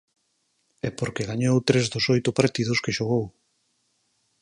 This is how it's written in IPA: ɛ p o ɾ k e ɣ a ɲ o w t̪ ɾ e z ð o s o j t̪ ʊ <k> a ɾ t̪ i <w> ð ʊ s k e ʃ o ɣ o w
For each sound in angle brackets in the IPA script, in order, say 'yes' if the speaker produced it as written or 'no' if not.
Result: no, no

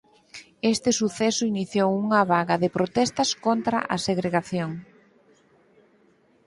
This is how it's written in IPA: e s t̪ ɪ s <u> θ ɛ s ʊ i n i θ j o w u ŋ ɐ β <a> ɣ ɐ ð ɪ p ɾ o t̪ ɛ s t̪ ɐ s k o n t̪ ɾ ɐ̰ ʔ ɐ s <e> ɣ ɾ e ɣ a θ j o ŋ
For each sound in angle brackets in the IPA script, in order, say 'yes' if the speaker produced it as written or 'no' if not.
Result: yes, yes, yes

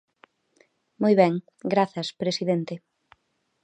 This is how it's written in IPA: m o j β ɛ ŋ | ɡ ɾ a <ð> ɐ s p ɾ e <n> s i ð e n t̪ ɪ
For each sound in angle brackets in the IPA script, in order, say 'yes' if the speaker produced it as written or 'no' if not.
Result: no, no

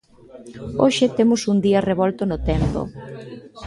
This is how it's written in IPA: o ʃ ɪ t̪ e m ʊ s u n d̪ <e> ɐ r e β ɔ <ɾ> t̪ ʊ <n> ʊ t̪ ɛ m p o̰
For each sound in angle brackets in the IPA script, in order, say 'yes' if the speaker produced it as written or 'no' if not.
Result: no, no, yes

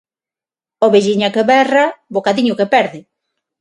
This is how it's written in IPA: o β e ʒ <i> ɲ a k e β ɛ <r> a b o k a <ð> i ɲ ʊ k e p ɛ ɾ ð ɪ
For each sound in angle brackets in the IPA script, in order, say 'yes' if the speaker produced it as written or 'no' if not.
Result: yes, yes, yes

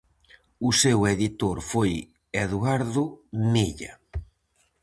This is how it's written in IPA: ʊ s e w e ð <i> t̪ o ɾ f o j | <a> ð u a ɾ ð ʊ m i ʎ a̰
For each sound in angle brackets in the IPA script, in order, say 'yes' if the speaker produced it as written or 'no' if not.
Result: yes, no

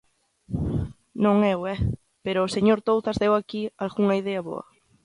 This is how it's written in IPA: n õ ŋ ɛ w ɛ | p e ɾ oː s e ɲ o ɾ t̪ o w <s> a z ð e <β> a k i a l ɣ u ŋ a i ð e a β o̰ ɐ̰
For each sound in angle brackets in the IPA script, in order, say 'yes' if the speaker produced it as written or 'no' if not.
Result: no, no

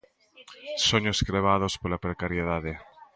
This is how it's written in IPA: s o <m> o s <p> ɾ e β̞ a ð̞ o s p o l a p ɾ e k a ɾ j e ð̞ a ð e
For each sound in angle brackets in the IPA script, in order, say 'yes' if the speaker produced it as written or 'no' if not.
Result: no, no

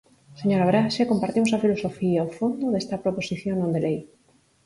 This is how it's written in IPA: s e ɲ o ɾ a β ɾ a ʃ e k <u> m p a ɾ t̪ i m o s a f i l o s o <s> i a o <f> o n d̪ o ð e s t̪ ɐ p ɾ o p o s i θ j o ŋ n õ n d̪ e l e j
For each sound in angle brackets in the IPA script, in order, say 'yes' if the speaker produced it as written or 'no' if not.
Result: no, no, yes

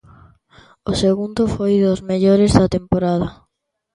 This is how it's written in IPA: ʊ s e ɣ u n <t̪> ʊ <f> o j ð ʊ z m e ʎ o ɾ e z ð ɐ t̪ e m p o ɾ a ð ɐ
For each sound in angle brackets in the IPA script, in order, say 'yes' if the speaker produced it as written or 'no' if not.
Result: no, yes

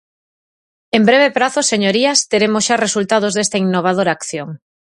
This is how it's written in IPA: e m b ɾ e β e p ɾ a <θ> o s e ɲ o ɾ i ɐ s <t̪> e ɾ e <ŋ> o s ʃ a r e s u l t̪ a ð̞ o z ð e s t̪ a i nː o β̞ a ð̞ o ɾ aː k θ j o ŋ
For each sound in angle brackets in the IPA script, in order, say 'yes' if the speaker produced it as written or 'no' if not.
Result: yes, yes, no

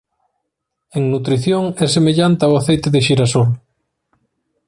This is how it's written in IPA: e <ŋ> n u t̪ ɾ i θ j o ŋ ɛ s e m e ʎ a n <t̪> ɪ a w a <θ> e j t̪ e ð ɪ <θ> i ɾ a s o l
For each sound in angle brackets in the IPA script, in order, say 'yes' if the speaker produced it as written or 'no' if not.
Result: yes, yes, yes, no

